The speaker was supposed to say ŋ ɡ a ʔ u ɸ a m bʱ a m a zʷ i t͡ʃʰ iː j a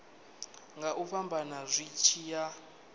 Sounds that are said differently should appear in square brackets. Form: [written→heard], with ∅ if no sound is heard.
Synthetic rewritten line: ŋ ɡ a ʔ u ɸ a m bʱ a [m→n] a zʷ i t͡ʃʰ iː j a